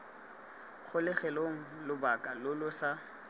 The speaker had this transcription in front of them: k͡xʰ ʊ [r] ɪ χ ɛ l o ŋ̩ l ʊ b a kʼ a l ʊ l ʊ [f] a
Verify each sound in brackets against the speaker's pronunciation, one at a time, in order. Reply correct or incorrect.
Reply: incorrect: l, incorrect: s

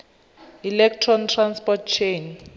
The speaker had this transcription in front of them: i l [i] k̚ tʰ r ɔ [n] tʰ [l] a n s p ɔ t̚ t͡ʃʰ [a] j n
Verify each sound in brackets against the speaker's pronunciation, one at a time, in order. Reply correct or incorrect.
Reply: incorrect: ɛ, correct, incorrect: r, incorrect: e

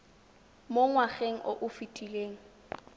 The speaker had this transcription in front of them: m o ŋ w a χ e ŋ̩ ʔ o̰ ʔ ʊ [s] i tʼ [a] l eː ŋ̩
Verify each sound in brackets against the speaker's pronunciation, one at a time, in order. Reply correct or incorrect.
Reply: incorrect: f, incorrect: i

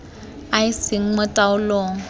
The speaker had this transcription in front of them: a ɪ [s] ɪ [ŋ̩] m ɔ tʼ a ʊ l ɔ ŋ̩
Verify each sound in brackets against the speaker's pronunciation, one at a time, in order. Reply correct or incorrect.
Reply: correct, correct

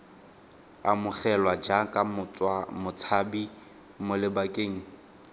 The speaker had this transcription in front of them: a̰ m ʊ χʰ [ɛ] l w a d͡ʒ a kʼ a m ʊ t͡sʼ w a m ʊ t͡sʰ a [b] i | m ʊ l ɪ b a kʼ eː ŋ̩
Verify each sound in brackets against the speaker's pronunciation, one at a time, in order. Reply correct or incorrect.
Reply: correct, correct

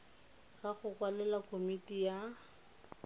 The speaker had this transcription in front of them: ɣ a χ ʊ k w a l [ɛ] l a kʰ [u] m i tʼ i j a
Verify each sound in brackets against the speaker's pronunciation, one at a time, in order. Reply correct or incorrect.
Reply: correct, incorrect: o

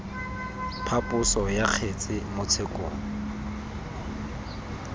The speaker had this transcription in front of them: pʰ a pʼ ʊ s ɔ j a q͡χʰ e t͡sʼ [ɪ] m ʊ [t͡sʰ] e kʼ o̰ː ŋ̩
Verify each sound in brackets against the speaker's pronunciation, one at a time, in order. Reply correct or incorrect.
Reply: correct, correct

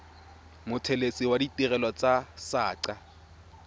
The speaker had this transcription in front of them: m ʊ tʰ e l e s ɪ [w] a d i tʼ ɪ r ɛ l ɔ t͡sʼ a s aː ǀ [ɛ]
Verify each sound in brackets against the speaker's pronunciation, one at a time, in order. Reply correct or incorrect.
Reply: correct, incorrect: a

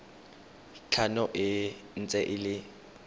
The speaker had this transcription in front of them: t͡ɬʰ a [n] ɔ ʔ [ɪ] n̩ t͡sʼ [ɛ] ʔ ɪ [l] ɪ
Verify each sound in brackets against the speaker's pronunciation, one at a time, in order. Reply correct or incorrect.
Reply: correct, correct, correct, correct

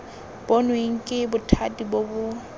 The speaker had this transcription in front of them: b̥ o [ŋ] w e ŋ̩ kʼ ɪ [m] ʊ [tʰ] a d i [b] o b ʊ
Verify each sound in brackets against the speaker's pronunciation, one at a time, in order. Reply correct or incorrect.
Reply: incorrect: n, incorrect: b, correct, correct

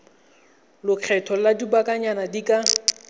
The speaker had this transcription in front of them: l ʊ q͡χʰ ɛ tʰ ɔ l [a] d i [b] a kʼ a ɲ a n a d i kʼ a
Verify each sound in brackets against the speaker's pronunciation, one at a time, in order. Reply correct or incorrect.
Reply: correct, correct

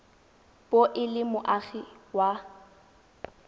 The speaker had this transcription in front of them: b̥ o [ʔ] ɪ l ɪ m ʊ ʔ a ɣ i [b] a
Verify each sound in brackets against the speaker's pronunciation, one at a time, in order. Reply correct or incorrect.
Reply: correct, incorrect: w

